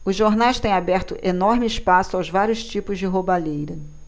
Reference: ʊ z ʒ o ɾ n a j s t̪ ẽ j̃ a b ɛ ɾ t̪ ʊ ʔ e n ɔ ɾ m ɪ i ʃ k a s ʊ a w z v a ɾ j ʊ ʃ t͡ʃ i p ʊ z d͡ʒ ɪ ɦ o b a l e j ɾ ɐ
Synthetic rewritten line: ʊ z ʒ o ɾ n a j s t̪ ẽ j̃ a b ɛ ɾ t̪ ʊ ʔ e n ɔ ɾ m ɪ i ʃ p a s ʊ a w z v a ɾ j ʊ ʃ t͡ʃ i p ʊ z d͡ʒ ɪ ɦ o b a l e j ɾ ɐ